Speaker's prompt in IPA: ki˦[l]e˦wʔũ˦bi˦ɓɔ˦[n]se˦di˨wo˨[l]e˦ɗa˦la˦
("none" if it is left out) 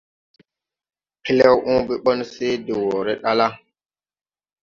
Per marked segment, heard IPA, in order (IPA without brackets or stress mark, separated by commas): l, n, ɾ